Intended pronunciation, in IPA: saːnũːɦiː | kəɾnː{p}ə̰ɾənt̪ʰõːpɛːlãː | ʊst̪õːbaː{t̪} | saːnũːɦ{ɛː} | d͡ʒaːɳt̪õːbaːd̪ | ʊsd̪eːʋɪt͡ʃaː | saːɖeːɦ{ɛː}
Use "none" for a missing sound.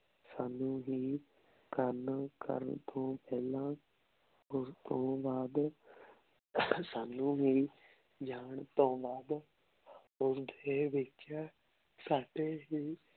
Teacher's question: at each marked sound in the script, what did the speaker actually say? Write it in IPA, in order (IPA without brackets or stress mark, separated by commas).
k, d̪, iː, iː